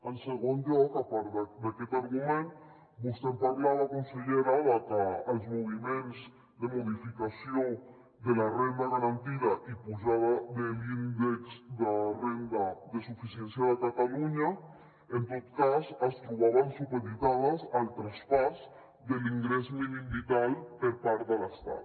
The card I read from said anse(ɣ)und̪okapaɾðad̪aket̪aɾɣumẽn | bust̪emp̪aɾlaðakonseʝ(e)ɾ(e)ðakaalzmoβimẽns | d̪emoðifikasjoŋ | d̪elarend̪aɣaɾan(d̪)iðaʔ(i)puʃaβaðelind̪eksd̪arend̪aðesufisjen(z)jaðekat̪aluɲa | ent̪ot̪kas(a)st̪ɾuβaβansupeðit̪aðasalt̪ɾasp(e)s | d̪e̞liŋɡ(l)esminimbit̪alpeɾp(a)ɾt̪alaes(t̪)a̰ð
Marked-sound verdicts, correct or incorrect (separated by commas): correct, correct, incorrect, incorrect, correct, incorrect, correct, incorrect, incorrect, correct, correct